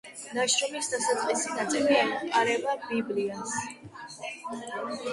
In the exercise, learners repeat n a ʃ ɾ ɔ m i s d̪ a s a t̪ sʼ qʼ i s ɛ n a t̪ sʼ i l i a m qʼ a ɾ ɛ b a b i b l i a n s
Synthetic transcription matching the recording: n a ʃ ɾ ɔ m i s d̪ a s a t̪ sʼ qʼ i s i n a t̪ sʼ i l i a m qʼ a ɾ ɛ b a b i b l i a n s